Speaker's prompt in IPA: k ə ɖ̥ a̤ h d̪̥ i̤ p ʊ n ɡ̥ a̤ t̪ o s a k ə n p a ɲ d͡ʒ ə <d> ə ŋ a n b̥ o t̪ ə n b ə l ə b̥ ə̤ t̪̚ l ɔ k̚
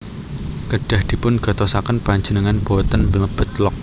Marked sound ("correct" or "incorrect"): incorrect